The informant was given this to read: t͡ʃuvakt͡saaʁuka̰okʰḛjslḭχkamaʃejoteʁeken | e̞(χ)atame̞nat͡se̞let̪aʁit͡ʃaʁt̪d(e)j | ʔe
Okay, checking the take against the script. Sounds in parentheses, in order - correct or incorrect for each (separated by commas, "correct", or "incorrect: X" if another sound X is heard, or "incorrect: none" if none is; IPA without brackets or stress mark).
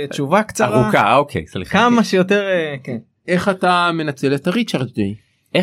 correct, correct